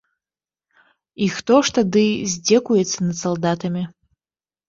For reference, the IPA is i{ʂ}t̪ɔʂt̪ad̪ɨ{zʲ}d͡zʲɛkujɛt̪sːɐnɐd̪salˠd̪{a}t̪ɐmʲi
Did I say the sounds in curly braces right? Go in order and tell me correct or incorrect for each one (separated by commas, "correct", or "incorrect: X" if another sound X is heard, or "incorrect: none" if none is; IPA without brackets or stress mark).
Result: incorrect: x, correct, correct